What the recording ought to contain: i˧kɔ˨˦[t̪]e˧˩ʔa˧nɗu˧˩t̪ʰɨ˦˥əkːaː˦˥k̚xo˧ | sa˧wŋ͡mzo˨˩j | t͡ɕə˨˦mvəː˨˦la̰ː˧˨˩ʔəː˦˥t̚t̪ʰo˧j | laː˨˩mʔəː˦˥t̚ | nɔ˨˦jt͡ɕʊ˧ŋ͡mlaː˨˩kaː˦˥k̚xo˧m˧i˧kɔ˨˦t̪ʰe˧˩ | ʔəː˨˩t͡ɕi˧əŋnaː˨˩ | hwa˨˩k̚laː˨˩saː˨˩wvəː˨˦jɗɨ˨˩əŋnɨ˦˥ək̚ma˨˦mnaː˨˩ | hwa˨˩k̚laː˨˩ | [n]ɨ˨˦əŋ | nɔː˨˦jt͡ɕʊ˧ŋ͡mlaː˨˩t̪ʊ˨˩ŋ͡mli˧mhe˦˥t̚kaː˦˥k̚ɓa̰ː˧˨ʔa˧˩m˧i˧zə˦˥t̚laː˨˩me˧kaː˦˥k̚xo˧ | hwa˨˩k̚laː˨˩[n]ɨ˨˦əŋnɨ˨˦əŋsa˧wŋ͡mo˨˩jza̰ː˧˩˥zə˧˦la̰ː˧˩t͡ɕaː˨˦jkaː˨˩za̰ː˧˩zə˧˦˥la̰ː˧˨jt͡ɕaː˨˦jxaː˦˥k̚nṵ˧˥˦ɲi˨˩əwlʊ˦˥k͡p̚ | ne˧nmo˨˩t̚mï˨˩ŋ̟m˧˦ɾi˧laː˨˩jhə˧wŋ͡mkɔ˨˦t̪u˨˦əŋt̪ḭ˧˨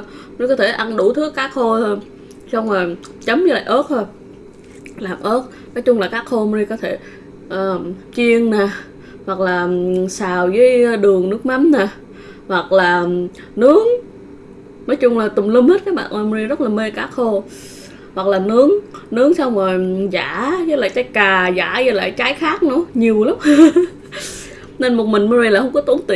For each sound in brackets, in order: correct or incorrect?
incorrect: t̪ʰ, correct, correct

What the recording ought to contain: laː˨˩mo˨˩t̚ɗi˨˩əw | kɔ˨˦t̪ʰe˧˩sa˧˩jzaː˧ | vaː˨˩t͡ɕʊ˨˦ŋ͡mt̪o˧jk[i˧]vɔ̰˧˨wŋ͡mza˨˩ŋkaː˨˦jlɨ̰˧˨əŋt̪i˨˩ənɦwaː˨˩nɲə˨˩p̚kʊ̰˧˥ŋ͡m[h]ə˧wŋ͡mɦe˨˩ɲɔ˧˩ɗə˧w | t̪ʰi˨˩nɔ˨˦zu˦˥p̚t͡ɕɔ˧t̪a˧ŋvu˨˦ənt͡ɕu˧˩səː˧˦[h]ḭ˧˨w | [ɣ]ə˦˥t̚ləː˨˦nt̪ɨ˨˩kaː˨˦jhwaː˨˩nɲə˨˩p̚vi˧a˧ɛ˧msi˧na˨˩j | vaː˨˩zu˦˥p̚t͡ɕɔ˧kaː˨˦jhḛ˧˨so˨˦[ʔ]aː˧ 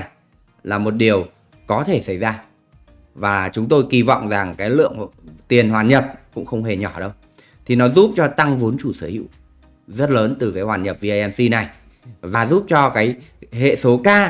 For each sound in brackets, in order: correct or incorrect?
correct, incorrect: x, correct, incorrect: z, incorrect: k

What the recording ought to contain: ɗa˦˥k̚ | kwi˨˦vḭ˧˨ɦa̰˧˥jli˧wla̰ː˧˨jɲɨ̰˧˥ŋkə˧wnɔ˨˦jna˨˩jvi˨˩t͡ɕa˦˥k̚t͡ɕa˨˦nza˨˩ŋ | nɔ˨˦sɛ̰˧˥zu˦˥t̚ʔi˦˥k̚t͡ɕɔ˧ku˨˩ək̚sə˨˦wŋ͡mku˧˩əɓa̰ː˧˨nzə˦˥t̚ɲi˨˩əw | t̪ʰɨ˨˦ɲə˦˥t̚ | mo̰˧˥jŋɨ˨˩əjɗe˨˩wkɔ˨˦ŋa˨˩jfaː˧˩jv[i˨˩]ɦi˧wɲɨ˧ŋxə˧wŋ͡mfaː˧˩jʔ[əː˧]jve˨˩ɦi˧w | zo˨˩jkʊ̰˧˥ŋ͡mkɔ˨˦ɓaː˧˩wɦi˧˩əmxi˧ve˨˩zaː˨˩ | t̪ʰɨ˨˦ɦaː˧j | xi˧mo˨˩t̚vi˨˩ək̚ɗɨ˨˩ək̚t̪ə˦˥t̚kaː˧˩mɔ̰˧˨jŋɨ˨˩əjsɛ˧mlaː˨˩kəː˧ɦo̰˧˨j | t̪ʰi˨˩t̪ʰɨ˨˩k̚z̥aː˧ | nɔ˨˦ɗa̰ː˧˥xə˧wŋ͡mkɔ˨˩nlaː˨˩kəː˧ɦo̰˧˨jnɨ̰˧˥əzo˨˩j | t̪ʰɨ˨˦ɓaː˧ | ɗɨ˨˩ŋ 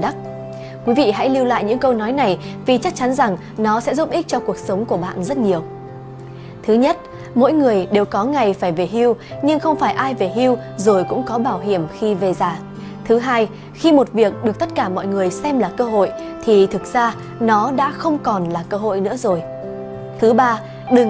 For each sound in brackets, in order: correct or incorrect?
incorrect: e˨˩, incorrect: aː˧

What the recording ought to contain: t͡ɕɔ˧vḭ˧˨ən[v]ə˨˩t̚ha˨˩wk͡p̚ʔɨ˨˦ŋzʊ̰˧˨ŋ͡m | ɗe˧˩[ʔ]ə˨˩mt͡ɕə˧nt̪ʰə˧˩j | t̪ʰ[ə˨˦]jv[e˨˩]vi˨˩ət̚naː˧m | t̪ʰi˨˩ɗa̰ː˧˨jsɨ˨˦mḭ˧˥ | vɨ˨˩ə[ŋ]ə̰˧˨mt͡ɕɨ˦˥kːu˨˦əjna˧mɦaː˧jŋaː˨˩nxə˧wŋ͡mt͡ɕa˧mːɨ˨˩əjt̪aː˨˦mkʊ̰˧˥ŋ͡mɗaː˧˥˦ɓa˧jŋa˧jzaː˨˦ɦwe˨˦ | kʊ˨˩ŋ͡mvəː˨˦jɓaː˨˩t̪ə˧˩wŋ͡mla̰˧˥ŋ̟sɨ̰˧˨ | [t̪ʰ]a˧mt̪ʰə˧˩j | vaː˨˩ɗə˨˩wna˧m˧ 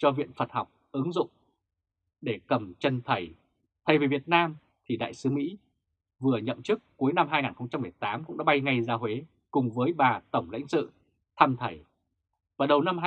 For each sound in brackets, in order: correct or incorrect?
incorrect: f, incorrect: k, incorrect: ə˨˩, incorrect: i˨˩, incorrect: ɲ, correct

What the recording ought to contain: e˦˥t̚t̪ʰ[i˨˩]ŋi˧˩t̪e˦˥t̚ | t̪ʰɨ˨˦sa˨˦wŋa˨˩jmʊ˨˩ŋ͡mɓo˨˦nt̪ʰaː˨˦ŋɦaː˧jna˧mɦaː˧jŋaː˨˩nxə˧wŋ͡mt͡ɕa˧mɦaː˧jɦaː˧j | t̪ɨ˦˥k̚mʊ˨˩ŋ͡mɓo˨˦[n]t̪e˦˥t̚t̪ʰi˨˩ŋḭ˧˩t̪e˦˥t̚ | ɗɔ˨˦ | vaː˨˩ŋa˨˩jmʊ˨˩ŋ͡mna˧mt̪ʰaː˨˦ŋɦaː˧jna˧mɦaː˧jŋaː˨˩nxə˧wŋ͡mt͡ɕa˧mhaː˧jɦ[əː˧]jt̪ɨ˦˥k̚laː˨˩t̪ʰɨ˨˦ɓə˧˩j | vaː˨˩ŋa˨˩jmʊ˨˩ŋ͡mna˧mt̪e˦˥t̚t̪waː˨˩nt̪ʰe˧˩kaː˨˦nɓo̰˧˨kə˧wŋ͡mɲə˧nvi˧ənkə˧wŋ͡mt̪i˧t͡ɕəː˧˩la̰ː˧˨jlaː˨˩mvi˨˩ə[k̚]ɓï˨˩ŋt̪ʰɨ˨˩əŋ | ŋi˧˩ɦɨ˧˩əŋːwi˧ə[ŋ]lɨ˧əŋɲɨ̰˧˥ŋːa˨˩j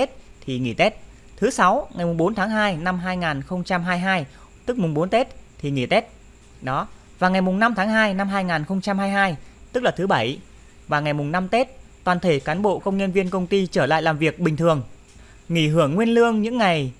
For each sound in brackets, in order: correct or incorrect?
correct, correct, incorrect: aː˧, correct, incorrect: n

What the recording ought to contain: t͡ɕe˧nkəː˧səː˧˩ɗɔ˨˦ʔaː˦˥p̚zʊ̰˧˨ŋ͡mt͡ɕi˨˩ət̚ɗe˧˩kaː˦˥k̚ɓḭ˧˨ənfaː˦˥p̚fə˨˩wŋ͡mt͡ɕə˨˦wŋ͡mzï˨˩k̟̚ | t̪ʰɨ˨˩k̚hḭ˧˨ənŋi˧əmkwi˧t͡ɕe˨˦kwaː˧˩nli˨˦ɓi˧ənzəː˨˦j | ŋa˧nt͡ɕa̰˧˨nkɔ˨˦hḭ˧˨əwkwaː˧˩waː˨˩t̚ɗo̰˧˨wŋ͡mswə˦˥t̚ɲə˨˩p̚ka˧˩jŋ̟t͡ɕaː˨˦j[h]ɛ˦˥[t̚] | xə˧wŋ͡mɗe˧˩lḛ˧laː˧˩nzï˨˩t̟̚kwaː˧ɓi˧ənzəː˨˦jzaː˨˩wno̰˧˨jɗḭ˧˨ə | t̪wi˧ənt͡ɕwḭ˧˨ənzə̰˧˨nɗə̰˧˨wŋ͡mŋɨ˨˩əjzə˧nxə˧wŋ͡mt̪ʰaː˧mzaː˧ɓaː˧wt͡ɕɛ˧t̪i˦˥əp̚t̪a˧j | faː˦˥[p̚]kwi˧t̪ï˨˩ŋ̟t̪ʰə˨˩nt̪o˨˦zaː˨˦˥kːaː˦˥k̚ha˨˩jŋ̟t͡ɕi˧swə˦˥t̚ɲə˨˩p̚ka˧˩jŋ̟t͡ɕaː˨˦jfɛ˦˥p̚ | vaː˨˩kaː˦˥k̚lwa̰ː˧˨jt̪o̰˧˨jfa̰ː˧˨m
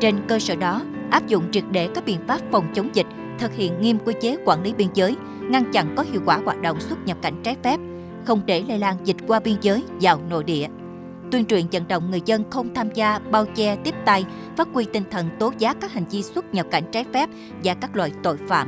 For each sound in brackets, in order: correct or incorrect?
incorrect: f, incorrect: p̚, incorrect: t̚

